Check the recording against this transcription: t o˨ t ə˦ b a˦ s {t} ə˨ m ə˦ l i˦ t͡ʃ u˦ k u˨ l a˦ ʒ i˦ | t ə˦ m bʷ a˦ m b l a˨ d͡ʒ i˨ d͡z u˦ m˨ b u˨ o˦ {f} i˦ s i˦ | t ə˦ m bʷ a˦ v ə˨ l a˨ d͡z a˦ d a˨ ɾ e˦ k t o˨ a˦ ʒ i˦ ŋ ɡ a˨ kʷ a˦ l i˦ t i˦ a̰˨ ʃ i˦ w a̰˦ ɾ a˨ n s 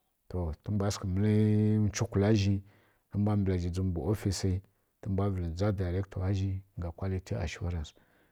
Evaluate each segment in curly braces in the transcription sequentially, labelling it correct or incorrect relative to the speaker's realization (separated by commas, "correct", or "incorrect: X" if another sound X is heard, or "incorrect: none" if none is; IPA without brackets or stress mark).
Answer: incorrect: k, correct